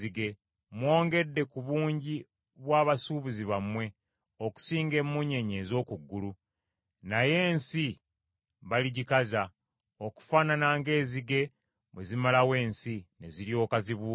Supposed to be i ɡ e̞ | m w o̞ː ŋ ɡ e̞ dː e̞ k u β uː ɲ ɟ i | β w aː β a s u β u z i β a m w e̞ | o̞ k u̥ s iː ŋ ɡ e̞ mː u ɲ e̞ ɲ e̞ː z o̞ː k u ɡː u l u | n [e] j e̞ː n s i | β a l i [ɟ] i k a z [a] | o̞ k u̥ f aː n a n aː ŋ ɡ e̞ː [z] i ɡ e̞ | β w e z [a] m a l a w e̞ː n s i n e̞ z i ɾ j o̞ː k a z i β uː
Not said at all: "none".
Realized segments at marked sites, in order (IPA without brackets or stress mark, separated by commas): a, ɟ, a, z, i